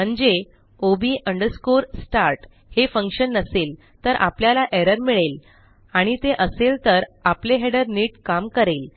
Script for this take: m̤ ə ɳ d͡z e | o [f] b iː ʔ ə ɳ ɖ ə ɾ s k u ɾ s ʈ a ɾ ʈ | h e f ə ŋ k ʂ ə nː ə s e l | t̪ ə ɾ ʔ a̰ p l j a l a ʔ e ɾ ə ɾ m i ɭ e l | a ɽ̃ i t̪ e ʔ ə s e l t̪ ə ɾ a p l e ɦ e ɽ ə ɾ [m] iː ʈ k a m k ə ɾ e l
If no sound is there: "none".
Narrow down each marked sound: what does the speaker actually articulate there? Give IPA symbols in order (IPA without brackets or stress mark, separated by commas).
none, n